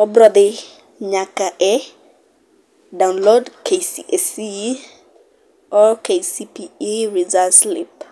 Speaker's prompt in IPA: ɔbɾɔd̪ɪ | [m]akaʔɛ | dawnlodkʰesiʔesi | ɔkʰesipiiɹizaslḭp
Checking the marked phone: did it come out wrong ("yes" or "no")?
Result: yes